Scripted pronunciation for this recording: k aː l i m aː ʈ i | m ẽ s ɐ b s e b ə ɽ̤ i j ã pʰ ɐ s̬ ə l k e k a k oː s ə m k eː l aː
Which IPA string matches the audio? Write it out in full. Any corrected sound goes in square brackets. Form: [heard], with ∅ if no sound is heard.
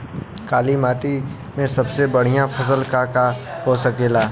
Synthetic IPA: k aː l i m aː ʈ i | m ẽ s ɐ b s e b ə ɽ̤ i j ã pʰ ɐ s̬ ə l k [a] k a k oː s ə [∅] k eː l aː